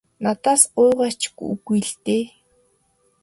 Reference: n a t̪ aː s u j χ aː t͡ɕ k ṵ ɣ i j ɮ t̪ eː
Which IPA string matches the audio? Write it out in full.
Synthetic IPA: n a t̪ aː s ʊ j ʁ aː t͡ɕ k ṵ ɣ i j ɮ t̪ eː